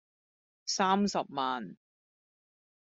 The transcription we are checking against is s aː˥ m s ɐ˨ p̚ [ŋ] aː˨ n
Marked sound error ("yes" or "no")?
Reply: yes